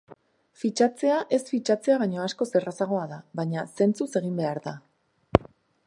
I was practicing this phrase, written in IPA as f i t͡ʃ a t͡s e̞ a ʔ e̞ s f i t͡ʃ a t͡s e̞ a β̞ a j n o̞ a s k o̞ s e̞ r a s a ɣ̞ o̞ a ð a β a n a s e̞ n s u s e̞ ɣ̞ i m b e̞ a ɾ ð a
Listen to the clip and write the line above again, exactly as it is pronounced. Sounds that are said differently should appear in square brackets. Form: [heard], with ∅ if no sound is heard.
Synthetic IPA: f i t͡ʃ a t͡s e̞ a ʔ e̞ s f i t͡ʃ a t͡s e̞ a β̞ a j [ɲ] o̞ a s k o̞ s e̞ r a s a ɣ̞ o̞ a ð a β a [ɲ] a s e̞ n [t͡s] u s e̞ ɣ̞ i m b e̞ a ɾ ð a